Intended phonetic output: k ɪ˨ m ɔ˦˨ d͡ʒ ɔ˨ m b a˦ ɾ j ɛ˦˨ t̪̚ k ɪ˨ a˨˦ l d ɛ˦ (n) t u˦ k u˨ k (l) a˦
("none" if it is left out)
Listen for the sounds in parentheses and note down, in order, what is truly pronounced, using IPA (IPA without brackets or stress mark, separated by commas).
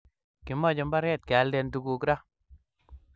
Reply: n, ɾ